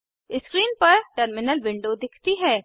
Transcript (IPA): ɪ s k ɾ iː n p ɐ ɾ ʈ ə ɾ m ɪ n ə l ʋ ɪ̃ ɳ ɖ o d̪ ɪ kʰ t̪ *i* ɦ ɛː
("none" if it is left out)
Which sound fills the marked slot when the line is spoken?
i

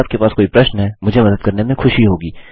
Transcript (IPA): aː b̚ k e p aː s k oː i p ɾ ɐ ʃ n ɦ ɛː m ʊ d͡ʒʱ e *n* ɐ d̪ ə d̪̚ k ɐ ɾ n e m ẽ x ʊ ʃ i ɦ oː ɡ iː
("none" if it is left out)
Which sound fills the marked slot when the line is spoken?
m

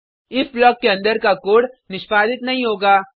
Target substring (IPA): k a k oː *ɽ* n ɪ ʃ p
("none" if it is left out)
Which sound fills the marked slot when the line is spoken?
ɽ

